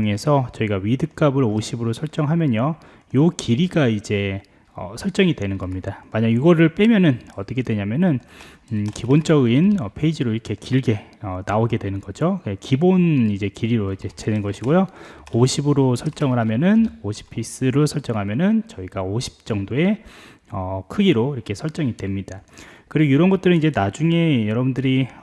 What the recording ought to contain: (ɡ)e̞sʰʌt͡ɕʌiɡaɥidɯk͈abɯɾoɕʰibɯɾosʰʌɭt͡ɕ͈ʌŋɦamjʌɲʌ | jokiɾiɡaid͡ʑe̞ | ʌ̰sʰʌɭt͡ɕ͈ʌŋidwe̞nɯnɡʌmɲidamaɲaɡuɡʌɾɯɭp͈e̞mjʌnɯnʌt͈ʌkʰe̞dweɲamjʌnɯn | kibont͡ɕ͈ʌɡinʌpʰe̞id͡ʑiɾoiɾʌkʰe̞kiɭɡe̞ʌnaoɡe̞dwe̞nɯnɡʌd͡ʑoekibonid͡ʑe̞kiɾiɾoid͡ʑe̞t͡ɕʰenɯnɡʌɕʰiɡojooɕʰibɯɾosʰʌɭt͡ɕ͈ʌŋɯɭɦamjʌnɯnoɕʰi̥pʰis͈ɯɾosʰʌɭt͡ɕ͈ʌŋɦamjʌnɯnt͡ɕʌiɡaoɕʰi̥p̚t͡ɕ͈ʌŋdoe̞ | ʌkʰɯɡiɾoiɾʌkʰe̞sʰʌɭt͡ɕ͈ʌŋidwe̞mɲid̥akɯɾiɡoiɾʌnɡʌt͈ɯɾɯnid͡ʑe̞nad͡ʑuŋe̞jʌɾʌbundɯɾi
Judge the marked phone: incorrect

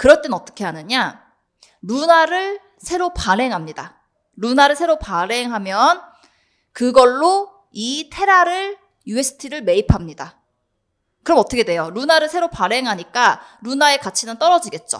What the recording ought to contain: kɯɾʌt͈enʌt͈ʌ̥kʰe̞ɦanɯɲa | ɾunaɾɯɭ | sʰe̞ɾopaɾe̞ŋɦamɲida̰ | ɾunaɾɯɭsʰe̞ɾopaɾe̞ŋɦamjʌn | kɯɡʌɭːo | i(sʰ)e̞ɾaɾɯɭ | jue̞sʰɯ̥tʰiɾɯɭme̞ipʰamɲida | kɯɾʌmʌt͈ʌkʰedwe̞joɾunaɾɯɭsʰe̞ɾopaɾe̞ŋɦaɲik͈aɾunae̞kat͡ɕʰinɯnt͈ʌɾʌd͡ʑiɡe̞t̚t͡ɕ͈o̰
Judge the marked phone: incorrect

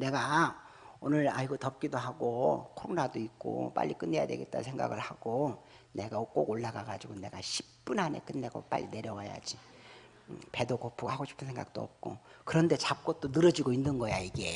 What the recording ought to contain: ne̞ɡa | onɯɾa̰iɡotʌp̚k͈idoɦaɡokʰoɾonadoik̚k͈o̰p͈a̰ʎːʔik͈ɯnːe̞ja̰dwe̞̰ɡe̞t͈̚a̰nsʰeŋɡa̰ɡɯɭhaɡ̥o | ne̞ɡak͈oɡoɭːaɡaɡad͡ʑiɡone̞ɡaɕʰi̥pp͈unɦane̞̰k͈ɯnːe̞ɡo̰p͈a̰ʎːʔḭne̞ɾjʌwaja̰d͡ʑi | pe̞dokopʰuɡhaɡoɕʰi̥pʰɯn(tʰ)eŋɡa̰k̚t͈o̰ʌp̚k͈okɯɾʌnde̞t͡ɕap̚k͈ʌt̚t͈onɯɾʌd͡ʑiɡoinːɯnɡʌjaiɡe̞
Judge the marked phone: incorrect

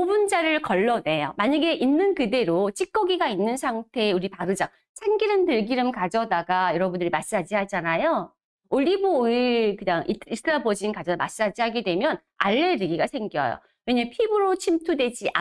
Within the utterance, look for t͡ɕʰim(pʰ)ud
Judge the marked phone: incorrect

